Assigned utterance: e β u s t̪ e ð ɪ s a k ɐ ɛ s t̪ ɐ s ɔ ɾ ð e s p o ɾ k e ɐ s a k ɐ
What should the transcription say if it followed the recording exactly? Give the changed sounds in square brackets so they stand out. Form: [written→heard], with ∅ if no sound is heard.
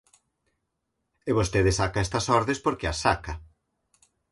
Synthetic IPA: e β [u→o] s t̪ e ð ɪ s a k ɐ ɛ s t̪ ɐ s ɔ ɾ ð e s p o ɾ k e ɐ s a k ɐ